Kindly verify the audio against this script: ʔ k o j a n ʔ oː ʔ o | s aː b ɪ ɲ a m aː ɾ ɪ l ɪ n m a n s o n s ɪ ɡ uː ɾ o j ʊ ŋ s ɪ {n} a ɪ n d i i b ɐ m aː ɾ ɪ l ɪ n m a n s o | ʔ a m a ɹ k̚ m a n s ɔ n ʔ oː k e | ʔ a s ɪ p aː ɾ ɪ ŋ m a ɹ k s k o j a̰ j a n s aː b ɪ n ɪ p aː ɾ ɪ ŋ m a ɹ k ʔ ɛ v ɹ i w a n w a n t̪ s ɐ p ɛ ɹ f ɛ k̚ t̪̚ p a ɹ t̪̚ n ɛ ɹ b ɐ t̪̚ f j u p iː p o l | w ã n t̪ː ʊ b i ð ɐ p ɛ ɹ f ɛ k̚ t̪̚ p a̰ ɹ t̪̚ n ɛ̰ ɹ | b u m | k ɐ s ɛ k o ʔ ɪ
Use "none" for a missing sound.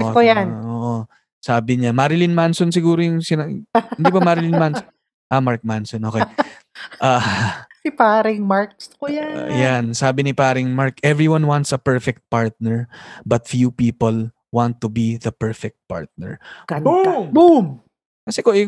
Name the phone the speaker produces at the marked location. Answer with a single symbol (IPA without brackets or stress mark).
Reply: n